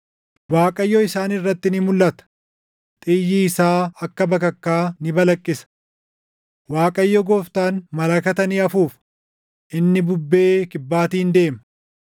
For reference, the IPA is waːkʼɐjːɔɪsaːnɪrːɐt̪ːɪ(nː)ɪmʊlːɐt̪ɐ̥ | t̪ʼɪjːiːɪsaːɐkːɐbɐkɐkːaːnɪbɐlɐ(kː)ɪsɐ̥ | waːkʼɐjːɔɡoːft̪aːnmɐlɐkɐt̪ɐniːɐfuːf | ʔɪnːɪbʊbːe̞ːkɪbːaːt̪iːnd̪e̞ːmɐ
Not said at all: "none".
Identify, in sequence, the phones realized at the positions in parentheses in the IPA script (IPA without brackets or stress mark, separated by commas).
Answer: n, kʼː